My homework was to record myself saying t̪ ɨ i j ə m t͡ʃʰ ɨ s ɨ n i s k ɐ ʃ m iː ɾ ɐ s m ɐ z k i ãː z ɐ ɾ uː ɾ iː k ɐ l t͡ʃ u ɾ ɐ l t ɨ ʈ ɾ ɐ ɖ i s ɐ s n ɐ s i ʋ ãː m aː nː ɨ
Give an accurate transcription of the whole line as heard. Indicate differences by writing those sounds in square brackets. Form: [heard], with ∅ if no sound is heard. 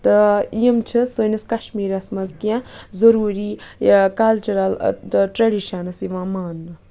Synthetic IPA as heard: t̪ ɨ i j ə m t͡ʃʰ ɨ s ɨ n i s k ɐ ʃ m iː ɾ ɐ s m ɐ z k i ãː z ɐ ɾ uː ɾ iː k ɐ l t͡ʃ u ɾ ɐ l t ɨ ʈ ɾ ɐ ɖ i [ʃ] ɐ [∅] n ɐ s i ʋ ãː m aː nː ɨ